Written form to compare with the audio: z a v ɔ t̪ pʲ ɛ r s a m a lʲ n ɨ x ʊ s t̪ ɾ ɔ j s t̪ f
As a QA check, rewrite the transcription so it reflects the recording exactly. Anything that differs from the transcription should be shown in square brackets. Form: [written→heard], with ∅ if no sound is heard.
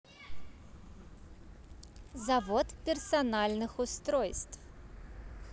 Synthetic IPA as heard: z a v ɔ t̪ pʲ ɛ r s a [m→n] a lʲ n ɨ x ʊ s t̪ ɾ ɔ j s t̪ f